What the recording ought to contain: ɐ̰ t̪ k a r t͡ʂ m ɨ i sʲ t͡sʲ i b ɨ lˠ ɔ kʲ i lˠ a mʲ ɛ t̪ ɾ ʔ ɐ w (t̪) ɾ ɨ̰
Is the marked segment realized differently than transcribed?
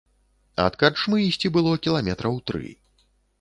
no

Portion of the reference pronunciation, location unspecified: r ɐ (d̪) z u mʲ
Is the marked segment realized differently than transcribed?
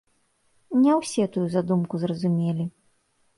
yes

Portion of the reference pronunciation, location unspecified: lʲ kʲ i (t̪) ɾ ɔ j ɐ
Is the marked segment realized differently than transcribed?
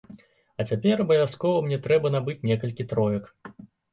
no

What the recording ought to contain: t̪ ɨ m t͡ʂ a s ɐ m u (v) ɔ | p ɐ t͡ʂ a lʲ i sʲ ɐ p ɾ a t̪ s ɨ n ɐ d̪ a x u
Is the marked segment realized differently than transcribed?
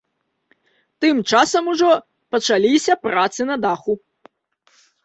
yes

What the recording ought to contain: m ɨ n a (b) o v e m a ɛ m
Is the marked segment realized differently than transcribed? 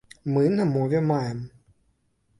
yes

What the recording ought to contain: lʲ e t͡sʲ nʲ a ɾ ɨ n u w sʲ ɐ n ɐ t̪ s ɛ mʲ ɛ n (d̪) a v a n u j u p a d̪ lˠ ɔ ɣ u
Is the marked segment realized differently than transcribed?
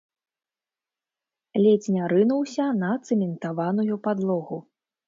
yes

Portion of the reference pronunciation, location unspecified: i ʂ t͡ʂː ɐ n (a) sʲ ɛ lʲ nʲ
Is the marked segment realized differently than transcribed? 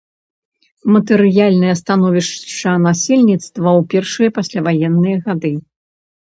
no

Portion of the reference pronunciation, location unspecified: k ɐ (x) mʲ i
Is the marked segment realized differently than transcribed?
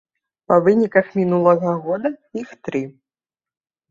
no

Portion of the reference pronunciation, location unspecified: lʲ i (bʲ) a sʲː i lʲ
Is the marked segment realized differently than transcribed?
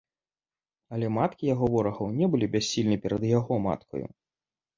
no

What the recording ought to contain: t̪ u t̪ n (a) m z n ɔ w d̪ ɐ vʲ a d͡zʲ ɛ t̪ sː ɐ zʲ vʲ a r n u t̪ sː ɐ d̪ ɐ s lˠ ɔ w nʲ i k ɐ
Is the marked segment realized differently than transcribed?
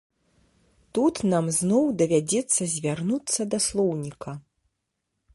no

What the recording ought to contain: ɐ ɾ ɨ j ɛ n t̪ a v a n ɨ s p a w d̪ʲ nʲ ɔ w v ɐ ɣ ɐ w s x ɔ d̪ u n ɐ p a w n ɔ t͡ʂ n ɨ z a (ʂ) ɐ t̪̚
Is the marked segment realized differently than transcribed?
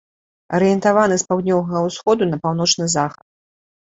yes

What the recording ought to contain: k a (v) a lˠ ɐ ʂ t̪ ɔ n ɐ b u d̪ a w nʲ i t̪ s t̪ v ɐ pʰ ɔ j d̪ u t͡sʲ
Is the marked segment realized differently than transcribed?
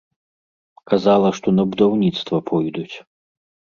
yes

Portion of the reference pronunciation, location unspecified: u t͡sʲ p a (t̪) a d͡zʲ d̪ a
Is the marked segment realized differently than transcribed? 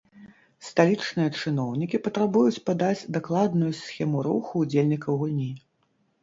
yes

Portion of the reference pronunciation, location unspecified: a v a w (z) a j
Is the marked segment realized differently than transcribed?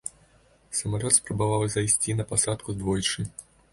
no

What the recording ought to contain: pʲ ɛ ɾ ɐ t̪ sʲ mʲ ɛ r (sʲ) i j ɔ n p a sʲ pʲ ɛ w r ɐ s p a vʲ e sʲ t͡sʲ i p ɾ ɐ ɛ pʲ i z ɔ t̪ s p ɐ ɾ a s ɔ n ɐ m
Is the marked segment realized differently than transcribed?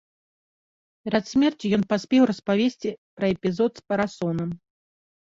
yes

